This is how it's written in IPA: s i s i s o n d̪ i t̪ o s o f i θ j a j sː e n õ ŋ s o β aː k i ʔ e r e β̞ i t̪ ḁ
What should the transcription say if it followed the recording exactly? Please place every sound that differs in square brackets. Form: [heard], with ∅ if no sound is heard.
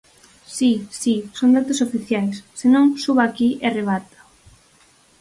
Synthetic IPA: s i s i s o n d̪ [a] t̪ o s o f i θ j a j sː e n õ ŋ s [u] β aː k i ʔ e r e β̞ [a] t̪ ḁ